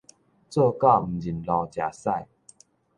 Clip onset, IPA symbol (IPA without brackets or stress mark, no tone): t͡s